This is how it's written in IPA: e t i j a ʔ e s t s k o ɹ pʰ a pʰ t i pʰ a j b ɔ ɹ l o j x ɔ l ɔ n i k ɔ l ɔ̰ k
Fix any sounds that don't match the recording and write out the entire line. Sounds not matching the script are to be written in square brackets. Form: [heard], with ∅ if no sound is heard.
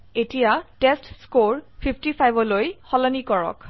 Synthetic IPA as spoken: e t i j a [t] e s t s k o ɹ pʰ [i] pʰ t i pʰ a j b ɔ [∅] l o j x ɔ l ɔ n i k ɔ [ɹ] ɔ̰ k